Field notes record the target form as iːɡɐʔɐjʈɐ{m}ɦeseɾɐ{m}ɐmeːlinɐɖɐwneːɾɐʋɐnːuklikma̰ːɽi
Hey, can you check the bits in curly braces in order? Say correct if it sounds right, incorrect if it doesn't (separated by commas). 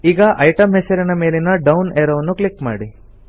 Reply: correct, incorrect